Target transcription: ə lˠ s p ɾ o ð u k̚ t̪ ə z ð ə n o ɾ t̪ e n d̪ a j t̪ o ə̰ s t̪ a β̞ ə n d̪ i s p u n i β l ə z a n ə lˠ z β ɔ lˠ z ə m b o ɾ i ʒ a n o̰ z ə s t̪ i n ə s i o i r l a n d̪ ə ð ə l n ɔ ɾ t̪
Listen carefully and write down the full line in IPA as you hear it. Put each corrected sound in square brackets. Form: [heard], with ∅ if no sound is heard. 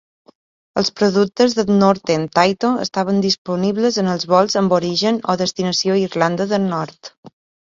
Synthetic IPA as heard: ə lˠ s p ɾ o ð u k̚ t̪ ə z ð ə n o ɾ t̪ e n [t̪] a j t̪ o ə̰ s t̪ a β̞ ə n d̪ i s p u n i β l ə z [ə] n ə lˠ z β ɔ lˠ z ə m b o ɾ i ʒ [ə] n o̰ [ð] ə s t̪ i n ə s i o i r l a n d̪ ə ð ə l n ɔ ɾ t̪